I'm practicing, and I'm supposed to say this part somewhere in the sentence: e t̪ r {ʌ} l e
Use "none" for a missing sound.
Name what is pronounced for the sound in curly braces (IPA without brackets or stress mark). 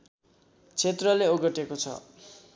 ʌ